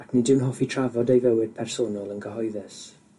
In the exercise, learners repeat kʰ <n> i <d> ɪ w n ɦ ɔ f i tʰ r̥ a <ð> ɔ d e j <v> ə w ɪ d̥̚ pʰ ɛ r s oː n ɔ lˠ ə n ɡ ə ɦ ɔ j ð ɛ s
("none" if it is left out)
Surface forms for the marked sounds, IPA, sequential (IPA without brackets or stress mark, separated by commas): n, d, v, v